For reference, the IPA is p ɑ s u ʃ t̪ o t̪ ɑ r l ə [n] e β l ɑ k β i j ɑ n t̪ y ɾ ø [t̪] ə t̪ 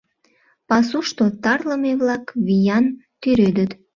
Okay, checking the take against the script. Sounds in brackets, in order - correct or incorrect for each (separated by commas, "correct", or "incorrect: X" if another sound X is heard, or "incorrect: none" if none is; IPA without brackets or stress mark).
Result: incorrect: m, incorrect: d̪